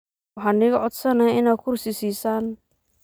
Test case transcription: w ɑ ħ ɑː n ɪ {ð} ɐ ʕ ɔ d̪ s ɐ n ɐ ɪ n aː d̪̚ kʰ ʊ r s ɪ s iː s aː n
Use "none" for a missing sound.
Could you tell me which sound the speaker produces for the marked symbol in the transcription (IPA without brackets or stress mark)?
ɣ